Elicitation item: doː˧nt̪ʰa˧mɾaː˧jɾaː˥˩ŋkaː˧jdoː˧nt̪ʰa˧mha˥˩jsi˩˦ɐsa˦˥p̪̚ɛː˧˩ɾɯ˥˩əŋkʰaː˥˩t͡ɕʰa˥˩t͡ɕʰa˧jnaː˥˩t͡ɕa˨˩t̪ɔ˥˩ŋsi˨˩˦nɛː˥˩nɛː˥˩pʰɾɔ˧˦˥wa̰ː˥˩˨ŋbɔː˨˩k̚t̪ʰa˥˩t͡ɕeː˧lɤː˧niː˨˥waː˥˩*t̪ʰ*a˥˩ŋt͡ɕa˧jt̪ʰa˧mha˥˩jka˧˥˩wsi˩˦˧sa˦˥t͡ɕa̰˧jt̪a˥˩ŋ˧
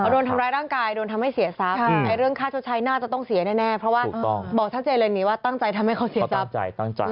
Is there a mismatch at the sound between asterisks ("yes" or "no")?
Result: yes